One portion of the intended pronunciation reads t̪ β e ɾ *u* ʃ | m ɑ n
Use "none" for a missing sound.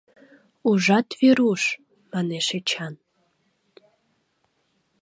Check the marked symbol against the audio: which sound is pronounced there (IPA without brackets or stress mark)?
u